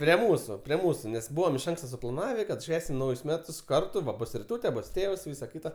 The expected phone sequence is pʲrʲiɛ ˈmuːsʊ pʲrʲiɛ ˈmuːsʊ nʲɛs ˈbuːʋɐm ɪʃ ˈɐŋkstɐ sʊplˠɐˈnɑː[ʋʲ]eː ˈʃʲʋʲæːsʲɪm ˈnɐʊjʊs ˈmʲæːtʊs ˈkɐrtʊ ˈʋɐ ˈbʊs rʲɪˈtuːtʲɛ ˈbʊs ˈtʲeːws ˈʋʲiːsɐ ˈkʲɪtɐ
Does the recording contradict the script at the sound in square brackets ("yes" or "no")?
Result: no